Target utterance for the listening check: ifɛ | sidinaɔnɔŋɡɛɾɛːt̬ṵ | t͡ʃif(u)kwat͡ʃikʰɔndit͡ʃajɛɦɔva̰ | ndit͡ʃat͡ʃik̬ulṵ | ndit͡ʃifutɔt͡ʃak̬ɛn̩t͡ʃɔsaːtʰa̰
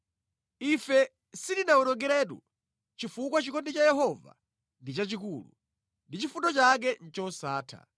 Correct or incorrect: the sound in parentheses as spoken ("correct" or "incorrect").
correct